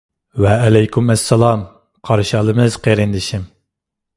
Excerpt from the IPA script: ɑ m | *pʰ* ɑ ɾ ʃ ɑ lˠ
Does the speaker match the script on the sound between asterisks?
no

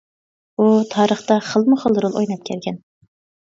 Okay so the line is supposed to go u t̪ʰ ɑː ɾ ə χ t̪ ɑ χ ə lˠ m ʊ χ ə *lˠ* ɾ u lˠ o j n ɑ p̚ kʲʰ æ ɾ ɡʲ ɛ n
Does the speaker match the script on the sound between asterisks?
yes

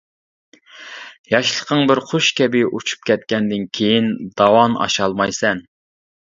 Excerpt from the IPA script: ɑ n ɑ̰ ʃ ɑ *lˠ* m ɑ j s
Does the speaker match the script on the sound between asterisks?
yes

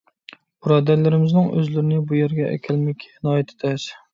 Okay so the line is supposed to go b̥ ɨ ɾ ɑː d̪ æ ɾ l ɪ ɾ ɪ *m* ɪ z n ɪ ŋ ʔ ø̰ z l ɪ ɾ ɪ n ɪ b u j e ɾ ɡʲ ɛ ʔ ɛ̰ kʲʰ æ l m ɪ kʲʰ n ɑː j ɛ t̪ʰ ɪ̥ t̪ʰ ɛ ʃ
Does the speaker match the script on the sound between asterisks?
yes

